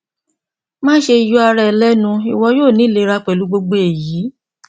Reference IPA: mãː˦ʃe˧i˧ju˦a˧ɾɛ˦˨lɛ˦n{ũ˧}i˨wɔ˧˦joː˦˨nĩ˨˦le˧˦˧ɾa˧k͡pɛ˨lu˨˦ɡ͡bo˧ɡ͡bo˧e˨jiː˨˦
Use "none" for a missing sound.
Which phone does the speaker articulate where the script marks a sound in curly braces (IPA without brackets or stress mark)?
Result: ũ˧